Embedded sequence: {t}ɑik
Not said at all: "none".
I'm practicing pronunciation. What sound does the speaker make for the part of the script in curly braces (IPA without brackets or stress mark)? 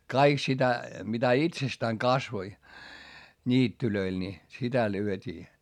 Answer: k